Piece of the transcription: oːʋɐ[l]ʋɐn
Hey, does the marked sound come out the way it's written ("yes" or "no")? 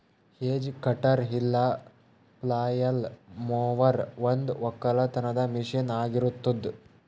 no